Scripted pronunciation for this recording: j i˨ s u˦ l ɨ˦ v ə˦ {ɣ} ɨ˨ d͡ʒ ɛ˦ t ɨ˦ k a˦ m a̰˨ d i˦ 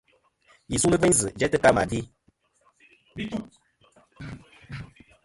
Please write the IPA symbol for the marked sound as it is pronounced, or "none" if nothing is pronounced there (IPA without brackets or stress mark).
z